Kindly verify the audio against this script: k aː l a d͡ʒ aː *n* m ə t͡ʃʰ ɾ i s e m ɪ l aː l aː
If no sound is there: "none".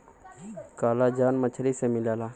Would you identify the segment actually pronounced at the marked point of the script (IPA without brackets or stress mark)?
n